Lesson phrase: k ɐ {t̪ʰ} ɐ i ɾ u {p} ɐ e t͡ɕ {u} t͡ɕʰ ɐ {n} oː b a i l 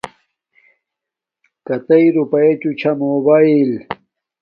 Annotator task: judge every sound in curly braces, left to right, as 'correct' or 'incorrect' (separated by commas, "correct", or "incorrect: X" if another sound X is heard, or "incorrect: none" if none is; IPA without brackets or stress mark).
incorrect: t̪, correct, correct, incorrect: m